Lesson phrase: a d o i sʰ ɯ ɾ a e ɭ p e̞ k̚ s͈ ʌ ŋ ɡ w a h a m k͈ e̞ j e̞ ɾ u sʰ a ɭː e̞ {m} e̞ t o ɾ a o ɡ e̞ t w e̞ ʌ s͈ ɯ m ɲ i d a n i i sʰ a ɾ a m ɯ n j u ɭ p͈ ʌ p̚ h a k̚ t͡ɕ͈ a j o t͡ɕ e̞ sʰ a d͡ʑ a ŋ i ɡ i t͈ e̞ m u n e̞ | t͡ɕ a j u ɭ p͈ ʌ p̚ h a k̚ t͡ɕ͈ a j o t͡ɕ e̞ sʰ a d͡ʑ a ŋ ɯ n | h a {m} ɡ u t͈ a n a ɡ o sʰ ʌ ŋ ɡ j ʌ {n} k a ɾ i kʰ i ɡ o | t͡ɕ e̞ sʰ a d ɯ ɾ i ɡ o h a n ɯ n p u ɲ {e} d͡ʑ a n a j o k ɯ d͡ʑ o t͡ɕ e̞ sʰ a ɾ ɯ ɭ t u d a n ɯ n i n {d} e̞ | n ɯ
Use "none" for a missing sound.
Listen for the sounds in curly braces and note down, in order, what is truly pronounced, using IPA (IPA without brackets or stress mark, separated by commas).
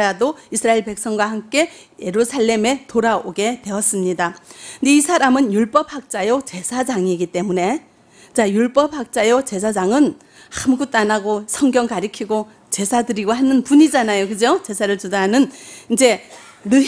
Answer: m, m, ŋ, i, d͡ʑ